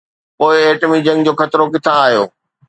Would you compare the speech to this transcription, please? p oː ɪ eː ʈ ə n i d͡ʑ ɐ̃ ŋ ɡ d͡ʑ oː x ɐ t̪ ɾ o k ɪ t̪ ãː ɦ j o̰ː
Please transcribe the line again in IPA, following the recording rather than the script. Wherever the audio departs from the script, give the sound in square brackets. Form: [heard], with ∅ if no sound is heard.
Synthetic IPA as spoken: p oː ɪ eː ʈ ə [m] i d͡ʑ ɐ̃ ŋ ɡ d͡ʑ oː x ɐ t̪ ɾ o k ɪ [t̪ʰ] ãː ɦ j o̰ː